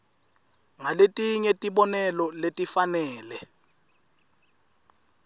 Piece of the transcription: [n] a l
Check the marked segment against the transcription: incorrect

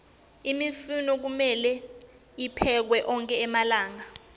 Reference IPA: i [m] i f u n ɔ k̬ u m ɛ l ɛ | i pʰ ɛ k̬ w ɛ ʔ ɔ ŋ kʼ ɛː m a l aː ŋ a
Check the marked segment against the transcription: correct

